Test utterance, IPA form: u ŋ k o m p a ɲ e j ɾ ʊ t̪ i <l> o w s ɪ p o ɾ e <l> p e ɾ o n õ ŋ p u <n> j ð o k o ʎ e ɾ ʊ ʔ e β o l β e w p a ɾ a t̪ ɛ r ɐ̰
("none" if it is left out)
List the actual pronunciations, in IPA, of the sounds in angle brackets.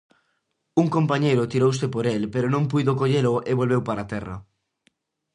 ɾ, l, none

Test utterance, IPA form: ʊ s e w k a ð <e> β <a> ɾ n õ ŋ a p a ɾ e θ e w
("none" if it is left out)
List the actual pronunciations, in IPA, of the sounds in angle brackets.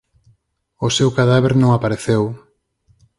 a, e

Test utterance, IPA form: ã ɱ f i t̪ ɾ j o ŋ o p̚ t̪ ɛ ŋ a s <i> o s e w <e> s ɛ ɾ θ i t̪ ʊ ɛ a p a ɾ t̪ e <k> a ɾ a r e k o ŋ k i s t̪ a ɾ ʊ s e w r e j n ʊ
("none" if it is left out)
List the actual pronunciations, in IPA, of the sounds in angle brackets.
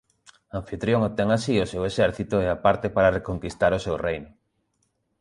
i, e, p

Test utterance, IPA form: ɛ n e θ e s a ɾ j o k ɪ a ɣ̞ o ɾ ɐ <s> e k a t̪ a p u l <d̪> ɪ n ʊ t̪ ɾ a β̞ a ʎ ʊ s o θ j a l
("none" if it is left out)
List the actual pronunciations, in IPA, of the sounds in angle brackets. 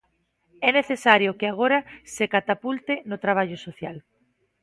s, t̪

